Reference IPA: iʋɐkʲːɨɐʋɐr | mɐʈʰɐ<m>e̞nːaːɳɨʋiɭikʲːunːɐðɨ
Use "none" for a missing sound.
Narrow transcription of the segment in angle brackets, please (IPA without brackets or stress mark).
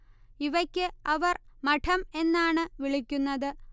m